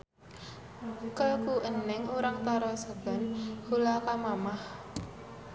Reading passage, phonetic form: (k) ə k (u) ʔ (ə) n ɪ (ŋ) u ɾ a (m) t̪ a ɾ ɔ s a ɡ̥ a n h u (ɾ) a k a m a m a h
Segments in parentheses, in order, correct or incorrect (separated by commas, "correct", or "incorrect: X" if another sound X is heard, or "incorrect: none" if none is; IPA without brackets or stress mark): correct, correct, correct, correct, incorrect: ŋ, incorrect: l